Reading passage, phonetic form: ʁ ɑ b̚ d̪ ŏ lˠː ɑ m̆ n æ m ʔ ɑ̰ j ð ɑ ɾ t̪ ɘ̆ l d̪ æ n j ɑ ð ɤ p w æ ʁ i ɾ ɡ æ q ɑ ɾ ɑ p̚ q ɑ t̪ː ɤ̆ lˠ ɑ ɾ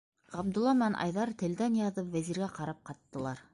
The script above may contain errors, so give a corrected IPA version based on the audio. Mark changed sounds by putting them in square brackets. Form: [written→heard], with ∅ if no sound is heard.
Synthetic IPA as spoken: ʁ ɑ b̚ d̪ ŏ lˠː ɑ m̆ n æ [m→n] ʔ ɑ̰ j ð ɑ ɾ t̪ ɘ̆ l d̪ æ n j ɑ ð ɤ p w æ [ʁ→z] i ɾ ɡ æ q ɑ ɾ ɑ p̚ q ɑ t̪ː ɤ̆ lˠ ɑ ɾ